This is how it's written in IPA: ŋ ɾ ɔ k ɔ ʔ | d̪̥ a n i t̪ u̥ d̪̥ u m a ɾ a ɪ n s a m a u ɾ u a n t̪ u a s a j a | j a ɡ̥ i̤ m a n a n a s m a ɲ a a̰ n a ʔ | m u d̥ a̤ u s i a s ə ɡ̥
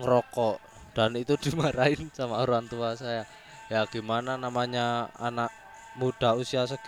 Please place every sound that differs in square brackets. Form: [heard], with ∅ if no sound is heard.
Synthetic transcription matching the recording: ŋ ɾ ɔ k ɔ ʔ | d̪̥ a n i t̪ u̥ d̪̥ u m a ɾ a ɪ n s a m a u ɾ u a n t̪ u a s a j a | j a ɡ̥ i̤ m a n a n a [∅] m a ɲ a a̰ n a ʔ | m u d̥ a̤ u s i a s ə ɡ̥